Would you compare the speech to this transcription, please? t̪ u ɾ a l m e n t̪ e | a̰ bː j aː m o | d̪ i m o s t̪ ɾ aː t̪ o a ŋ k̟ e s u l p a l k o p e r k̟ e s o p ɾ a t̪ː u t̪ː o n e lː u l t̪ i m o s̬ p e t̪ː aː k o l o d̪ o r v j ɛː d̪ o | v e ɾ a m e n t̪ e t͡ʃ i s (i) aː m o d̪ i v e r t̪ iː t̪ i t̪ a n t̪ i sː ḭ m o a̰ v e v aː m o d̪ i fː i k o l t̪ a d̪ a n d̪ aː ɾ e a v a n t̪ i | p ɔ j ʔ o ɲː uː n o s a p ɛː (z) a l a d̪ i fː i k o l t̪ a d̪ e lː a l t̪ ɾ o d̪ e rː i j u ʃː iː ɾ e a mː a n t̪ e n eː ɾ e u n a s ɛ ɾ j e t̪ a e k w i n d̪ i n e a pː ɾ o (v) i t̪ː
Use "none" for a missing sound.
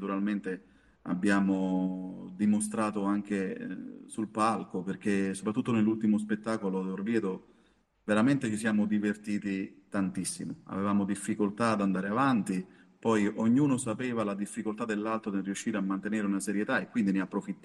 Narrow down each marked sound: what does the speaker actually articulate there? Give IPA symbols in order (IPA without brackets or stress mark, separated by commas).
j, v, f